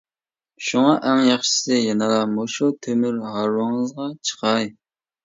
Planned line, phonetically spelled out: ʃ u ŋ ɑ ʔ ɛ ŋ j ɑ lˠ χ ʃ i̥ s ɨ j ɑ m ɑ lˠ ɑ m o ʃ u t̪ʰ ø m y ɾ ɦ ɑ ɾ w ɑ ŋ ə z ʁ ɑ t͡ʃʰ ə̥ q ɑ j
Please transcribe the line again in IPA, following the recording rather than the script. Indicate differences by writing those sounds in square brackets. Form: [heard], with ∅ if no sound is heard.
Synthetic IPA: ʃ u ŋ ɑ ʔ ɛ ŋ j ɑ [∅] χ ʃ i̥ s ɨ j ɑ [n] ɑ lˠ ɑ m o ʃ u t̪ʰ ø m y ɾ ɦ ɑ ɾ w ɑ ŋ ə z ʁ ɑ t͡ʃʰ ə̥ q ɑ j

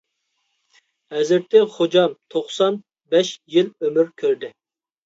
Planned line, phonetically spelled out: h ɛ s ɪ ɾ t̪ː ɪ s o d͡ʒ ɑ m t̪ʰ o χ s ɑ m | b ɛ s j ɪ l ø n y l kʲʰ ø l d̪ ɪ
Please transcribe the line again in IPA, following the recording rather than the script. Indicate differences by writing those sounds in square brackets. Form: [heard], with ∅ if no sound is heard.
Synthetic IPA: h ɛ [z] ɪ ɾ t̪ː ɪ [χ] o d͡ʒ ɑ m t̪ʰ o χ s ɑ [n] | b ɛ [ʃ] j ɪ l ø [m] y [ɾ] kʲʰ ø [ɾ] d̪ ɪ

